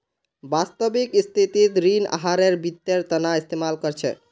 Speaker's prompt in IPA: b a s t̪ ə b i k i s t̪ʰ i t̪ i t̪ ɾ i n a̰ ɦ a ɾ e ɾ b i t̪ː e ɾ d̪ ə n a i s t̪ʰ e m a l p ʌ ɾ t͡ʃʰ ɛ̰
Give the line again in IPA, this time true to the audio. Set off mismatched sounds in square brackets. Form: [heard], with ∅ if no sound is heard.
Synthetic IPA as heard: b a s t̪ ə b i k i s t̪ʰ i t̪ i t̪ ɾ i n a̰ ɦ a ɾ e ɾ b i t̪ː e ɾ [t̪] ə n a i s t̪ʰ e m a l [k] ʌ ɾ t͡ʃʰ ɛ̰